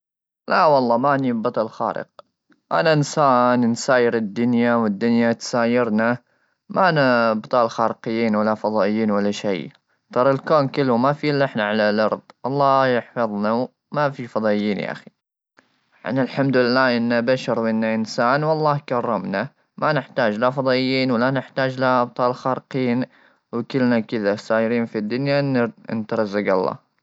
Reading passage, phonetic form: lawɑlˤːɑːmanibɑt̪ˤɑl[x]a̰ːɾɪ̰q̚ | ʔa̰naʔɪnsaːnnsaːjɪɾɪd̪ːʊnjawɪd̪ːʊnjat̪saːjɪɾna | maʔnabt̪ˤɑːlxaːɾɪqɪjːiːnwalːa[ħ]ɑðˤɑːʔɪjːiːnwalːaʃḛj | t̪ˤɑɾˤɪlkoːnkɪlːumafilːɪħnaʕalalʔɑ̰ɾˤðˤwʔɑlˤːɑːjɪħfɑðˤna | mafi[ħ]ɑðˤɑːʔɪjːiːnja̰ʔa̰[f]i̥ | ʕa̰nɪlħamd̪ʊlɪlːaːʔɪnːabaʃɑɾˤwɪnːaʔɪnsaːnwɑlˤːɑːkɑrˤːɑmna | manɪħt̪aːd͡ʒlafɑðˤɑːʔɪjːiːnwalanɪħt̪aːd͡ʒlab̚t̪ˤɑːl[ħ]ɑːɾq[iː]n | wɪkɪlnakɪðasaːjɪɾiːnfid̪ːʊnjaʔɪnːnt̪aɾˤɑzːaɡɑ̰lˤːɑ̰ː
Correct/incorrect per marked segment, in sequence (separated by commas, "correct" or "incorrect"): correct, incorrect, incorrect, incorrect, incorrect, correct